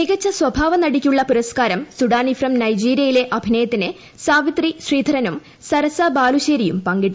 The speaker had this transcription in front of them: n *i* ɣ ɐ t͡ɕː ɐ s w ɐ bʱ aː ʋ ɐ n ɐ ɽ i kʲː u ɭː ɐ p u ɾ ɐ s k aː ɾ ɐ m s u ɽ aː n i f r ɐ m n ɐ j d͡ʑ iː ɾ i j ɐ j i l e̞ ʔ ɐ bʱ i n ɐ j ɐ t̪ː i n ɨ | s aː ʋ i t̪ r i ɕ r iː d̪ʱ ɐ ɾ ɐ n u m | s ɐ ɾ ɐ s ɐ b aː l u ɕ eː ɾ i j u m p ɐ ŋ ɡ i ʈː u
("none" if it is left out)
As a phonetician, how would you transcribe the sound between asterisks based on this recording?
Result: i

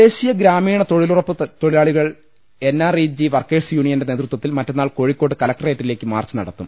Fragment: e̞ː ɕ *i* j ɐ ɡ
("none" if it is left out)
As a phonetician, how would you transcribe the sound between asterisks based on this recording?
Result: i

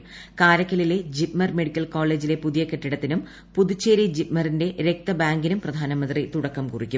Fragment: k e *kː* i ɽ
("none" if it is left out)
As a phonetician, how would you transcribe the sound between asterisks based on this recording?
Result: ʈː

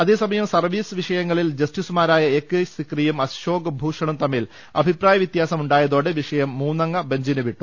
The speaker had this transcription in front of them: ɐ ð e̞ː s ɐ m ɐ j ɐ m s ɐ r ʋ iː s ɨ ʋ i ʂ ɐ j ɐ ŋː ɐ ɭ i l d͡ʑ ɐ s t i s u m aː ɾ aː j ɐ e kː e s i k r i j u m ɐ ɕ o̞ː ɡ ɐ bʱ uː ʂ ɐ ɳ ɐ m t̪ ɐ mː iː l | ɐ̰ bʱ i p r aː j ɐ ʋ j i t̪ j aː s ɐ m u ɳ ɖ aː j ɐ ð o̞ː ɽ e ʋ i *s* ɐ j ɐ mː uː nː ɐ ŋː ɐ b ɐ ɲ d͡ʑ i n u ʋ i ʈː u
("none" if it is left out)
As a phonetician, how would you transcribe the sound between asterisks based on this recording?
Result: ʂ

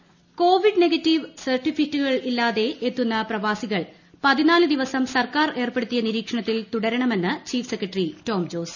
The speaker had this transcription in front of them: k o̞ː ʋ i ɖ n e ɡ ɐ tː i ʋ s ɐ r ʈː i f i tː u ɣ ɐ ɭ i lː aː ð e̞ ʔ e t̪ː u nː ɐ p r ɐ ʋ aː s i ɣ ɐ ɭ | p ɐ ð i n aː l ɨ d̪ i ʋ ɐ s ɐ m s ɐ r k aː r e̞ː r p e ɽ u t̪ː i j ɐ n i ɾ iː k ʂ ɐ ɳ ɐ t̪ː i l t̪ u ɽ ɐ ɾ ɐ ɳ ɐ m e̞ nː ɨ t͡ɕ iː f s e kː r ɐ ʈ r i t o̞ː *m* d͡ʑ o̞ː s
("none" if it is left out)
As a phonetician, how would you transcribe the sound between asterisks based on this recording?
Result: m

